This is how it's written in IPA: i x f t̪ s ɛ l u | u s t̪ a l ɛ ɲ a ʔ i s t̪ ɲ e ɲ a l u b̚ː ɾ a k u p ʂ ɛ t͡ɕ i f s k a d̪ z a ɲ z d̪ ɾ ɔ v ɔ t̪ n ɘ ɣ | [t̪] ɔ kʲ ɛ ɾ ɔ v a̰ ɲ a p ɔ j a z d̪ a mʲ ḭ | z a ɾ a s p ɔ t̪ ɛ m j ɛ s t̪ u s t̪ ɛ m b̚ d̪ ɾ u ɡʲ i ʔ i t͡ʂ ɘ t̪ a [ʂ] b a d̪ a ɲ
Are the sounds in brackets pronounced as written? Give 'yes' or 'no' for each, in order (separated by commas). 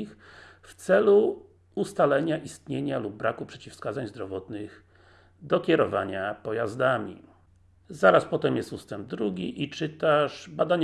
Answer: no, yes